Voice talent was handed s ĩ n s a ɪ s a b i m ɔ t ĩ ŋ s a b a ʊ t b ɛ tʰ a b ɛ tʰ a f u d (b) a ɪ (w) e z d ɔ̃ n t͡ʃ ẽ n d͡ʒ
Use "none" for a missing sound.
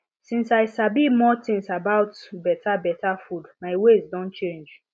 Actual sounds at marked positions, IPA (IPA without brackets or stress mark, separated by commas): m, w